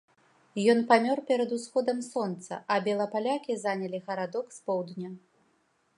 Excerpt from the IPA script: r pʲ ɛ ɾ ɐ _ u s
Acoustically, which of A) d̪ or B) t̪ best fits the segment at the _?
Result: A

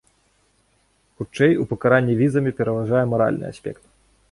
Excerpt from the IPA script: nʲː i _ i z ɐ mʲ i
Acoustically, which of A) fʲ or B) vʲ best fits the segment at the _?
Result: B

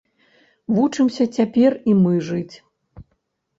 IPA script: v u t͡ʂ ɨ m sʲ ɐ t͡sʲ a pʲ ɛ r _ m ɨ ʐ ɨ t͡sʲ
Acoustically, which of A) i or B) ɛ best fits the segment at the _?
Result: A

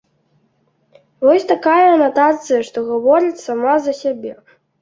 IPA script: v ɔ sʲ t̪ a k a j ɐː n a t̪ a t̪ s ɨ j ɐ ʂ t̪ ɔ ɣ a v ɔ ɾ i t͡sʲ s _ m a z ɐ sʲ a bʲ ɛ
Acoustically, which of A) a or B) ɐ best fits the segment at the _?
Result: A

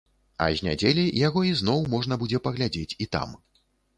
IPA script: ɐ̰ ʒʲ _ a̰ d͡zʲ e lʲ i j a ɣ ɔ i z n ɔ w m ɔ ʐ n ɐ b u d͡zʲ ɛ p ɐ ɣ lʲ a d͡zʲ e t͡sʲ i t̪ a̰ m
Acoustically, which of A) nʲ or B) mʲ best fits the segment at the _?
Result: A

